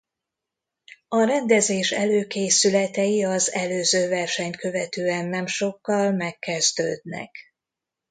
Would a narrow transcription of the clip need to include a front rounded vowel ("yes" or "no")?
yes